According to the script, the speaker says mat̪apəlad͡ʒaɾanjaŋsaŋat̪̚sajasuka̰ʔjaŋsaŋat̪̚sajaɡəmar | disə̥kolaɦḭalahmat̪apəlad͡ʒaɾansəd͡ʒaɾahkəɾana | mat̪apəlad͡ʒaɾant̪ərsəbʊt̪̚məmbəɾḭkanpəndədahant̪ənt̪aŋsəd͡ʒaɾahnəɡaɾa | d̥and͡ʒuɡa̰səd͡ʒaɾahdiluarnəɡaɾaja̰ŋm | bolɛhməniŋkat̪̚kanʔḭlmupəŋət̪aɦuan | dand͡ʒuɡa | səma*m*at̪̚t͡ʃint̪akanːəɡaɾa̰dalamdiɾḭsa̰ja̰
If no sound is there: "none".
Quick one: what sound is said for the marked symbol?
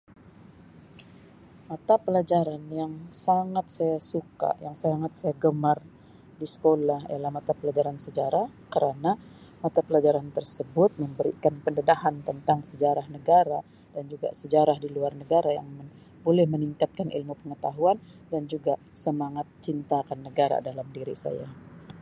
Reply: ŋ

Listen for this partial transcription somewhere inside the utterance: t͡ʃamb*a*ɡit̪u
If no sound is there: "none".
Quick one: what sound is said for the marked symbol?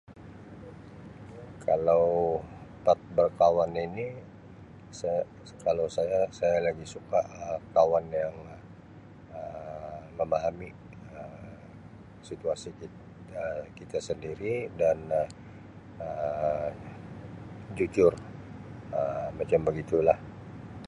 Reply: ə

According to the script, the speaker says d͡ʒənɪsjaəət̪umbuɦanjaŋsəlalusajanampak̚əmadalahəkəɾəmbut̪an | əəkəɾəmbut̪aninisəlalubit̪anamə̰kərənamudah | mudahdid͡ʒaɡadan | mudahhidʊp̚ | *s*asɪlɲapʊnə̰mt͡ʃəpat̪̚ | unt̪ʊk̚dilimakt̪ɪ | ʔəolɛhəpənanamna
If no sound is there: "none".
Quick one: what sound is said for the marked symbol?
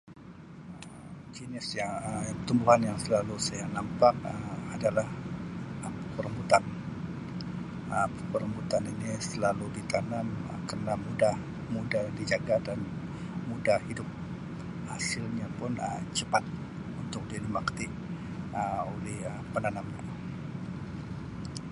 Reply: h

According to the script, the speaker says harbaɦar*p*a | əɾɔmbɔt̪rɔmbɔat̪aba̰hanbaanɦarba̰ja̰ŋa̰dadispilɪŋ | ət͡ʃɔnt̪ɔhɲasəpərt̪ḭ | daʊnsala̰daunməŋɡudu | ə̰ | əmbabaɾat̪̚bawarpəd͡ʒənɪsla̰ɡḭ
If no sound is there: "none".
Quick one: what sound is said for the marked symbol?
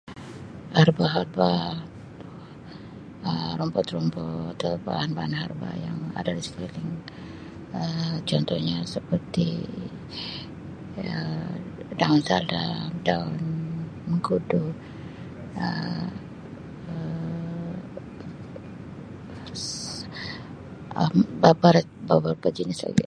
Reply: b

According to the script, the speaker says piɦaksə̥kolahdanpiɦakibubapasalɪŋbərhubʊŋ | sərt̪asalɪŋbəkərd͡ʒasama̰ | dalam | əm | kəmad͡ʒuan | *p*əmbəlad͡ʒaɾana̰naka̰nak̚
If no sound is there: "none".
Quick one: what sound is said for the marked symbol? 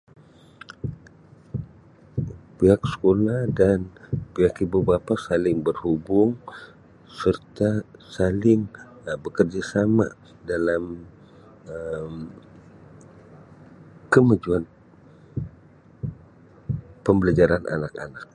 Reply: p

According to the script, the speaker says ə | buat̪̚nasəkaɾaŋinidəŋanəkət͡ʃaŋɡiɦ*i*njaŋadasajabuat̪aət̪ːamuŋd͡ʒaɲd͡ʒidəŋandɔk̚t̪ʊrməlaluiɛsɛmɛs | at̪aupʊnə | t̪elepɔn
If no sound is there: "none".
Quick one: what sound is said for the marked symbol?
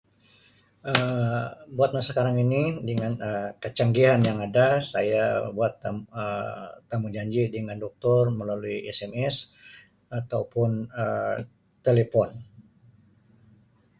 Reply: a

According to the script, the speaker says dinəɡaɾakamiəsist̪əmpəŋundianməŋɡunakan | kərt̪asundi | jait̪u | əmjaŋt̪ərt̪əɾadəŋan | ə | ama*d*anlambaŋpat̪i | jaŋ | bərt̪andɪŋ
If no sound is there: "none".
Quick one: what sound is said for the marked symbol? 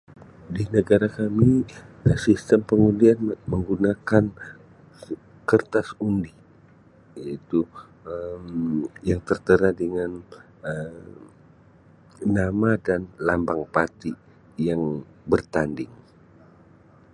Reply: d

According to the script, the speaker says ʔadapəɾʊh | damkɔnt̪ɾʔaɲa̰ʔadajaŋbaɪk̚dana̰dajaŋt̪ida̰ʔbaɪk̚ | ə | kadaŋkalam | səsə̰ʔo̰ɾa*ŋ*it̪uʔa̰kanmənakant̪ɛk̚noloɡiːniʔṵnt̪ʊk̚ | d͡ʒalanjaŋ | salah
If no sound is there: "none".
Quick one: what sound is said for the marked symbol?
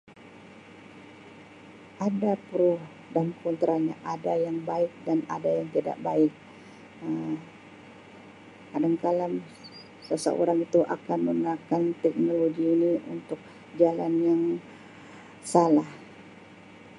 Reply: ŋ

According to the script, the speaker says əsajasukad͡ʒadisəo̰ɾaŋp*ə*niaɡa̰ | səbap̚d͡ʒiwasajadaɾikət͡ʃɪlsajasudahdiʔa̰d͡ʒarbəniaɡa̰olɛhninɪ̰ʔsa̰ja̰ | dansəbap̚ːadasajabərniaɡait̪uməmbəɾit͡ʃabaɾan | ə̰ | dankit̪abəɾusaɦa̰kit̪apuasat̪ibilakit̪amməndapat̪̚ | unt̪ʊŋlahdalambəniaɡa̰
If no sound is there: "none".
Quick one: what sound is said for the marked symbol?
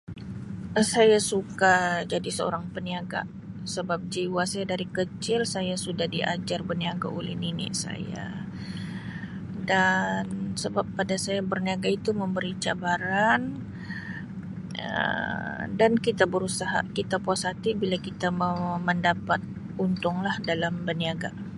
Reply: ə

